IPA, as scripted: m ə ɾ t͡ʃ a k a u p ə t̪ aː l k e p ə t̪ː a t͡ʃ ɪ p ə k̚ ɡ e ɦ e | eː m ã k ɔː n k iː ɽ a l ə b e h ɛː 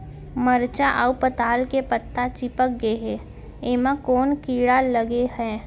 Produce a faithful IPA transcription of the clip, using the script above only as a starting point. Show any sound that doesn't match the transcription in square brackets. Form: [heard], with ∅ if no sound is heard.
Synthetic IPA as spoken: m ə ɾ t͡ʃ a [ʔ] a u p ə t̪ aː l k e p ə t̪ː a t͡ʃ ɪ p ə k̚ ɡ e ɦ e | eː m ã k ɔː n k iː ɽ a l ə [ɡ] e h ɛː